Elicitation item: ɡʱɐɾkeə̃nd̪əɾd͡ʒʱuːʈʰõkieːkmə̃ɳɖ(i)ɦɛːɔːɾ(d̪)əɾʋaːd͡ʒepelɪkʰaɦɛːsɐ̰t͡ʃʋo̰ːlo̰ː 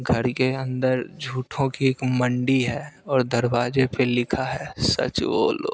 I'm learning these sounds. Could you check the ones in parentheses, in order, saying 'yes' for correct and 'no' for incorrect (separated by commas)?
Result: yes, yes